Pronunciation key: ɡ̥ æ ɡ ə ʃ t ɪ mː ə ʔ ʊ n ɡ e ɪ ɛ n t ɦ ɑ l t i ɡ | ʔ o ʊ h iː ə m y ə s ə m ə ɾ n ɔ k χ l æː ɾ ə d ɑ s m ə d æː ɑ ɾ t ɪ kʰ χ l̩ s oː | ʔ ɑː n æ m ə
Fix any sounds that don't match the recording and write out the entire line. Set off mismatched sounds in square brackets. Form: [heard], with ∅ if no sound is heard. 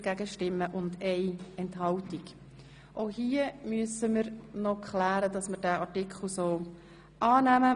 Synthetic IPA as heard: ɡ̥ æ ɡ ə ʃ t ɪ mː ə ʔ ʊ n [d] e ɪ ɛ n t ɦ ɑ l t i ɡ | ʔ o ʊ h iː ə m y ə s ə m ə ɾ n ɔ k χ l æː ɾ ə d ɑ s m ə d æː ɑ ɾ t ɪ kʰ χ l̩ s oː | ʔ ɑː n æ m ə

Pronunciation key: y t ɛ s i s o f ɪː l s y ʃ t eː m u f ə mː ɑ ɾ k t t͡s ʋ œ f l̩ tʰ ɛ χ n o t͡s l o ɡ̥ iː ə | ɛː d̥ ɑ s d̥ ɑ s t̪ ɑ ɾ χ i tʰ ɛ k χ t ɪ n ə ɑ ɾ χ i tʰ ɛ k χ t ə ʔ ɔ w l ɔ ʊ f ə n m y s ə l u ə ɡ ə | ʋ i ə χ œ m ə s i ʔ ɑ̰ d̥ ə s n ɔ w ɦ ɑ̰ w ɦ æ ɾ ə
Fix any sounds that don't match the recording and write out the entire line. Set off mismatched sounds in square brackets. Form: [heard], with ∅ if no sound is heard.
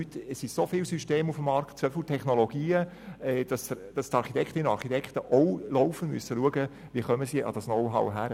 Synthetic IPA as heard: y t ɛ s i s o f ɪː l s y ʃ t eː m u f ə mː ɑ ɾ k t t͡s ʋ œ f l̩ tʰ ɛ χ n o [∅] l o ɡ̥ iː ə | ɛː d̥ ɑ s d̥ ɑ s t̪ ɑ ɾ χ i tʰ ɛ k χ t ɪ n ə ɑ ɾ χ i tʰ ɛ k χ t ə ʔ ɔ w l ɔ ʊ f ə n m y s ə l u ə ɡ ə | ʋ i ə χ œ m ə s i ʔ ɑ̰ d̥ [ɑ] s n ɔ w ɦ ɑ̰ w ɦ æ ɾ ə

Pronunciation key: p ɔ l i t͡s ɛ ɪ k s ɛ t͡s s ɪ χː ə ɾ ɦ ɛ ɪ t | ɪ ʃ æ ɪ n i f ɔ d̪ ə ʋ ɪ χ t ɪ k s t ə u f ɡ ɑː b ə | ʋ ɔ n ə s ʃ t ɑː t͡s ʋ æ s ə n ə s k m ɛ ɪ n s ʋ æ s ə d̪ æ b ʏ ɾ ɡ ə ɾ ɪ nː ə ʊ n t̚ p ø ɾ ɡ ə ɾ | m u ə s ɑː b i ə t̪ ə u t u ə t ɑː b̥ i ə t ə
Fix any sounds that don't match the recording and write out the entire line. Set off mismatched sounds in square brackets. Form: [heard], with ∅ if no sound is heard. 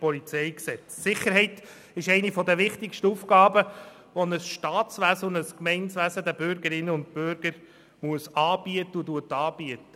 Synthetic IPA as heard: p ɔ l i t͡s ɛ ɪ k s ɛ t͡s s ɪ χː ə ɾ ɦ ɛ ɪ t | ɪ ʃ [ɛ] ɪ n i f ɔ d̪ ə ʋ ɪ χ t ɪ k [ʃ] t ə u f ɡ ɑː b ə | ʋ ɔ n ə s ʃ t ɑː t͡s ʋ æ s ə n ə s k m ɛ ɪ n s ʋ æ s ə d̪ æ b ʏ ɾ ɡ ə ɾ ɪ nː ə ʊ n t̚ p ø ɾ ɡ ə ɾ | m u ə s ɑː b i ə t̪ ə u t u ə t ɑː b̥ i ə t ə

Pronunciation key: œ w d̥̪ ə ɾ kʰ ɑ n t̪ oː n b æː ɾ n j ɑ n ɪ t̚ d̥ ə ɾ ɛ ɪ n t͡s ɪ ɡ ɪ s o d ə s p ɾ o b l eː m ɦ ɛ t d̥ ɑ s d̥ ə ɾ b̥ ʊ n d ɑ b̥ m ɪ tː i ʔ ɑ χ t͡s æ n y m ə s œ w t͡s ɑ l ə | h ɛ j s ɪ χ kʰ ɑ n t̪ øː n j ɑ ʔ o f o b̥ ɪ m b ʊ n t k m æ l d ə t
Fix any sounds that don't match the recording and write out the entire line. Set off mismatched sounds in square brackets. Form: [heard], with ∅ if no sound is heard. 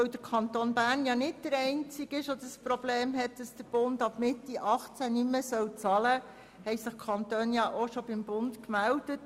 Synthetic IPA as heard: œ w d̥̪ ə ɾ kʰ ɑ n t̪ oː n b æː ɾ n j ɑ n ɪ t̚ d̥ ə ɾ ɛ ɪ n t͡s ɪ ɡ ɪ [ʃ] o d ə s p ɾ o b l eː m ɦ ɛ t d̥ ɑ s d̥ ə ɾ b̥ ʊ n d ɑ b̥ m ɪ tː i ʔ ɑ χ t͡s æ n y m ə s œ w t͡s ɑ l ə | h ɛ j s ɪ χ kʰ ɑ n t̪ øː n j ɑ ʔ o [ʃ] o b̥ ɪ m b ʊ n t k m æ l d ə t

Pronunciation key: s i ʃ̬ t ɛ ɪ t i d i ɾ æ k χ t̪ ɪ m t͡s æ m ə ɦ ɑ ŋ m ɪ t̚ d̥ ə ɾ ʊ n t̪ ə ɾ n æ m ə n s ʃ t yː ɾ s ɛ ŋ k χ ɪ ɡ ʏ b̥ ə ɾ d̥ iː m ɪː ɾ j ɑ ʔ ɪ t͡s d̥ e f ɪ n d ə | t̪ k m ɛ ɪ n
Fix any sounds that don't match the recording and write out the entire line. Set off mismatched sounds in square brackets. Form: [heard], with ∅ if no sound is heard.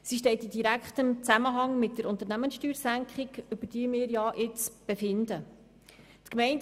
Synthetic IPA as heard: s i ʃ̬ t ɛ ɪ t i d i ɾ æ k χ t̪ ɪ m t͡s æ m ə ɦ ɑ ŋ m ɪ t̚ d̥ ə ɾ ʊ n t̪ ə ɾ n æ m ə n s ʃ t yː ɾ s [æ] ŋ k χ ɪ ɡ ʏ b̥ ə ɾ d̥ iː m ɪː ɾ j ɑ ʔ ɪ t͡s [b̥] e f ɪ n d ə | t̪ k m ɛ ɪ n

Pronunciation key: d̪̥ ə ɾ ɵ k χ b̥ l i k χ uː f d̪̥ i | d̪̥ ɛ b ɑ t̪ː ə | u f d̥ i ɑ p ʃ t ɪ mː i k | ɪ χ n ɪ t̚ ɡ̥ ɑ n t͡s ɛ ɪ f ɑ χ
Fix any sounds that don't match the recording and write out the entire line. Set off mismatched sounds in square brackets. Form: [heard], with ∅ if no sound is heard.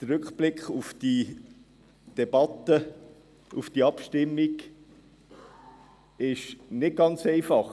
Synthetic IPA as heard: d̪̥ ə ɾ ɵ k χ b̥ l [ɪ] k χ [u] f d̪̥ i | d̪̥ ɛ b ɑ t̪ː ə | u f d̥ i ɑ p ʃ t ɪ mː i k | ɪ [ʃ] n ɪ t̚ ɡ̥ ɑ n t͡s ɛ ɪ f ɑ χ

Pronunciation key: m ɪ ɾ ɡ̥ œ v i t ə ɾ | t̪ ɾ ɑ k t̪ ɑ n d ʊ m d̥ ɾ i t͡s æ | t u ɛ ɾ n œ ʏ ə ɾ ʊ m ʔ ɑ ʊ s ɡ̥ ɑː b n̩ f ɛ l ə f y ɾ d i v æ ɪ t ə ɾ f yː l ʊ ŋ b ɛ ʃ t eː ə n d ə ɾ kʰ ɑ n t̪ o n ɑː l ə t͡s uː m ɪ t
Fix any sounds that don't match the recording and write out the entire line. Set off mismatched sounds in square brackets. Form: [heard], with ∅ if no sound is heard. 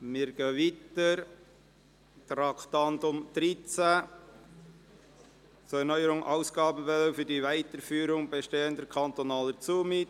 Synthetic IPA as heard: m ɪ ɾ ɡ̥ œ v i t ə ɾ | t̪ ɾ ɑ k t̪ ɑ n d ʊ m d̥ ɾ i t͡s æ | [t͡s] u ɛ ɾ n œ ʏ ə ɾ ʊ [ŋ] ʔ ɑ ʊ s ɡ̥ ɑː b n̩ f ɛ l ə f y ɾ d i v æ ɪ t ə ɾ f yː [ɾ] ʊ ŋ b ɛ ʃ t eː ə n d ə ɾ kʰ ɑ n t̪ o n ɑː l ə t͡s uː m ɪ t

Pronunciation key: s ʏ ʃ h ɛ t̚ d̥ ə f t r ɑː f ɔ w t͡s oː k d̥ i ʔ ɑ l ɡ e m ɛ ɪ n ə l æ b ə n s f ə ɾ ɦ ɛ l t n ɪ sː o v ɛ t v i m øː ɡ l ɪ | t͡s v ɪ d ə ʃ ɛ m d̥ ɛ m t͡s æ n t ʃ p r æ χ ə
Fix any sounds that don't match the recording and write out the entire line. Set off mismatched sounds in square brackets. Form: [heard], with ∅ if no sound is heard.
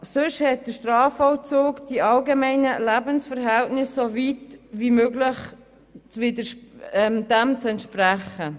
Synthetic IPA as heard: s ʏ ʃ h ɛ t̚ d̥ ə [ʃ] t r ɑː f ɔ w t͡s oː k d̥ i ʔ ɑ l ɡ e m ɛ ɪ n ə l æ b ə n s f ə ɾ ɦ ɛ l t n ɪ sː o v [i] t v i m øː ɡ l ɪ | t͡s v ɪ d ə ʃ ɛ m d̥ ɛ m t͡s [ɛ] n t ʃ p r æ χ ə

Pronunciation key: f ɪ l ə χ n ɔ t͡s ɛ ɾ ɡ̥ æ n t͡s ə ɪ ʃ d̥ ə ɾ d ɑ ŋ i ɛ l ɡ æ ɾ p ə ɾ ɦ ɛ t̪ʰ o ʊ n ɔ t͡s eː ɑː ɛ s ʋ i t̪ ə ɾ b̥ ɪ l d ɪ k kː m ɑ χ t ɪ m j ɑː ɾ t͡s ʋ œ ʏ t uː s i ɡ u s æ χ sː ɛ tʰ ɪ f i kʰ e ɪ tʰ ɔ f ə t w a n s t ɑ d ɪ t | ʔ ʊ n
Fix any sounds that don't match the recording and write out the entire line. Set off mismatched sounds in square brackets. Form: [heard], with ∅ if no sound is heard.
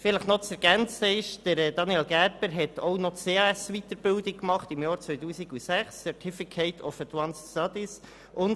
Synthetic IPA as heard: f ɪ l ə χ n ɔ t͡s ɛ ɾ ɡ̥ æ n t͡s ə ɪ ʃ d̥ ə ɾ d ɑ [n] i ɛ l ɡ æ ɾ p ə ɾ ɦ ɛ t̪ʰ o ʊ n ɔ t͡s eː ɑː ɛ s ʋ i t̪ ə ɾ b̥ ɪ l d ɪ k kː m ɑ χ t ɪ m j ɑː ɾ t͡s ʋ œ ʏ t uː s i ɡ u s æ χ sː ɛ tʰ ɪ f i kʰ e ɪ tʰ ɔ f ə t w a n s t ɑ d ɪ [s] | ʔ ʊ n

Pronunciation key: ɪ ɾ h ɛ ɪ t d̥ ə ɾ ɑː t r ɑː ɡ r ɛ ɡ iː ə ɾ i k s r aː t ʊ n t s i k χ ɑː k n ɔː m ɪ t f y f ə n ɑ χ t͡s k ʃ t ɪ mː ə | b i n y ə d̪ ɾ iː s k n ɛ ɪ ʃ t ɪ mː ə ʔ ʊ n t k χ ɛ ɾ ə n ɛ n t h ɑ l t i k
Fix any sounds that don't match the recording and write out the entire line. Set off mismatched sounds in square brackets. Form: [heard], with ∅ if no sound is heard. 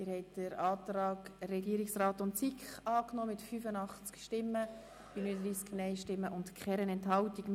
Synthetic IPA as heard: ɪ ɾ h ɛ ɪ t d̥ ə ɾ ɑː t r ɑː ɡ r ɛ ɡ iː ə ɾ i k s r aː t ʊ n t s i k χ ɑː k n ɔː m ɪ t f y f ə n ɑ χ t͡s k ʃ t ɪ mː ə | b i n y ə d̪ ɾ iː s k n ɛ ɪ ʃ t ɪ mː ə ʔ ʊ n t k χ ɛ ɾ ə n ɛ n t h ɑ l t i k

